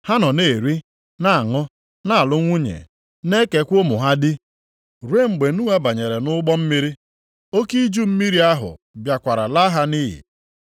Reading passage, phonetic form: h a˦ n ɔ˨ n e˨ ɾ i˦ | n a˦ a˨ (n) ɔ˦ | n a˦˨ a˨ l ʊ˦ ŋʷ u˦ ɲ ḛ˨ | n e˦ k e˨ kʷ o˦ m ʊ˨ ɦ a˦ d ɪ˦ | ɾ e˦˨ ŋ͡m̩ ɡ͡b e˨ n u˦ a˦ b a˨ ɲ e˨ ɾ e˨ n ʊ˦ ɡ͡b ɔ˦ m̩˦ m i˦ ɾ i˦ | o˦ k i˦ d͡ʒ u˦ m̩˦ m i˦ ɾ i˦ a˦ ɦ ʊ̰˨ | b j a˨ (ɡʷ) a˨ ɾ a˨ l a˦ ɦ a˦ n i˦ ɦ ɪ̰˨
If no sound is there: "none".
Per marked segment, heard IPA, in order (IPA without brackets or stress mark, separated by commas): ŋ, kʷ